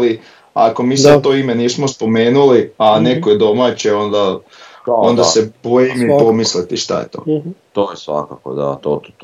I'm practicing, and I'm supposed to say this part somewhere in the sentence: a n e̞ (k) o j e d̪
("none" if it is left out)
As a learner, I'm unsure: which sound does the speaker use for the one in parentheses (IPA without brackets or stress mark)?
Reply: k